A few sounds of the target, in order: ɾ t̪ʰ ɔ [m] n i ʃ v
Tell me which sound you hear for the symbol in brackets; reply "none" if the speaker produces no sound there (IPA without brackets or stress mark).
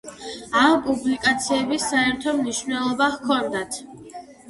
m